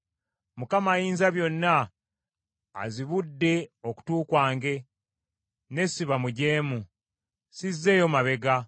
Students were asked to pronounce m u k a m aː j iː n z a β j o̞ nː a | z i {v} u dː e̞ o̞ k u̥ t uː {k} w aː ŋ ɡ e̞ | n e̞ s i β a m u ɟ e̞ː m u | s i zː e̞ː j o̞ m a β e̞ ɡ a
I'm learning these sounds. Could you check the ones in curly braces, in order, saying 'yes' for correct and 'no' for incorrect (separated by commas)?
no, yes